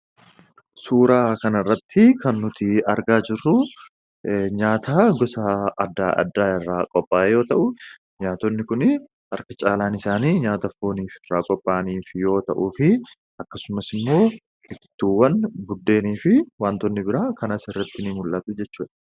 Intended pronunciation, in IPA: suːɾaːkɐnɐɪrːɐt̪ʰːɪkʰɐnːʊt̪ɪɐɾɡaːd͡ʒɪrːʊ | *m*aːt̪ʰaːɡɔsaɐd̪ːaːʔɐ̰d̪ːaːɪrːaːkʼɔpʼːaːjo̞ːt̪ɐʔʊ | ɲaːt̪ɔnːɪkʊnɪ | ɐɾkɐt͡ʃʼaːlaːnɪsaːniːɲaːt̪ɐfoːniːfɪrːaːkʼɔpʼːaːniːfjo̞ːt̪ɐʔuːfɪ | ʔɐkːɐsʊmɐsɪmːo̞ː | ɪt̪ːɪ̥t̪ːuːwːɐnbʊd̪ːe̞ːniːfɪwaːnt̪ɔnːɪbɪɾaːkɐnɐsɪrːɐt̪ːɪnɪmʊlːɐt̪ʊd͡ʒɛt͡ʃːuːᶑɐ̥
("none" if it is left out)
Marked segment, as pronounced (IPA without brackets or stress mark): ɲ